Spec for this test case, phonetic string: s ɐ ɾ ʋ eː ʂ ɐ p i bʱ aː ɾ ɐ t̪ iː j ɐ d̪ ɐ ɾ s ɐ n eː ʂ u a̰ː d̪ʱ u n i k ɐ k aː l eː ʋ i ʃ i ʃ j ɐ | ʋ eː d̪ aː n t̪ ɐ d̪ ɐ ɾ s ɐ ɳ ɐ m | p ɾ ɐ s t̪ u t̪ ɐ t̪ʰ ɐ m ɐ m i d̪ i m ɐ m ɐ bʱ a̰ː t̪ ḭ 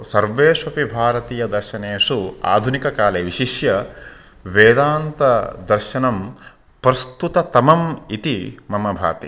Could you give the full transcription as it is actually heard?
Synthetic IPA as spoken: s ɐ ɾ ʋ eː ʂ ɐ p i bʱ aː ɾ ɐ t̪ iː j ɐ d̪ ɐ ɾ ʃ ɐ n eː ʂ u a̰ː d̪ʱ u n i k ɐ k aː l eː ʋ i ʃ i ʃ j ɐ | ʋ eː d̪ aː n t̪ ɐ d̪ ɐ ɾ ʃ ɐ n ɐ m | p ɾ ɐ s t̪ u t̪ ɐ t̪ ɐ m ɐ m i t̪ i m ɐ m ɐ bʱ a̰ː t̪ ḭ